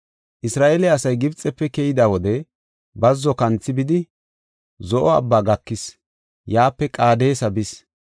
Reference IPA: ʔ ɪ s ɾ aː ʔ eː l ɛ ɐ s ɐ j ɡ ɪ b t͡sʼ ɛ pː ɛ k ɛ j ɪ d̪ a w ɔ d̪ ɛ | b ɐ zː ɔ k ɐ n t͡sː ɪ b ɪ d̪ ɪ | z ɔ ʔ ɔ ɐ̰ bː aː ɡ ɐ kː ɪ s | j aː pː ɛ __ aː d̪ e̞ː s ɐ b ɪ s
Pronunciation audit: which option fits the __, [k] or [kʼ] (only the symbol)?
kʼ